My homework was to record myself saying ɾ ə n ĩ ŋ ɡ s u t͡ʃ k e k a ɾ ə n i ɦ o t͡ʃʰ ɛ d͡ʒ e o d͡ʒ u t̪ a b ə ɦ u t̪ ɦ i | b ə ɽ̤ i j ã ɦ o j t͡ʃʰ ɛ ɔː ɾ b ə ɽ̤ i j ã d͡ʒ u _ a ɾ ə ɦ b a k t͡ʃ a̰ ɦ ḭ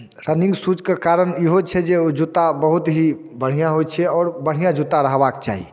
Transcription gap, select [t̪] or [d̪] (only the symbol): t̪